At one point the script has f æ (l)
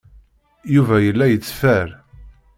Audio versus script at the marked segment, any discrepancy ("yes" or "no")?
yes